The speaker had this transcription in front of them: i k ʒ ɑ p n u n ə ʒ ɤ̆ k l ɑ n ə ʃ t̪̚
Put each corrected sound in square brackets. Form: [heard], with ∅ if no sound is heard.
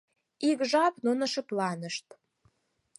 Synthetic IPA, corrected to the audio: i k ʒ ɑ p n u n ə [ʃ] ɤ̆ [p] l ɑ n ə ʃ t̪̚